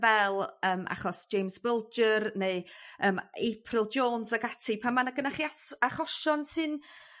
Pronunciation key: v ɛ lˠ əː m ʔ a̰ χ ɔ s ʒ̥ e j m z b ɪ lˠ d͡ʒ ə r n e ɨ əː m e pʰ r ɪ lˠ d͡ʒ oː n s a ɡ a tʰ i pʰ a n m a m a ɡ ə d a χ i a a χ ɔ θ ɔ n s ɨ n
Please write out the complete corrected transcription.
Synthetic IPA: v ɛ lˠ əː m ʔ a̰ χ ɔ s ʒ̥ e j m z b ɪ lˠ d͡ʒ ə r n e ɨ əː m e pʰ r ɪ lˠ d͡ʒ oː n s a ɡ a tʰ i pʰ a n m a n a ɡ ə n a χ i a a χ ɔ ʃ ɔ n s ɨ n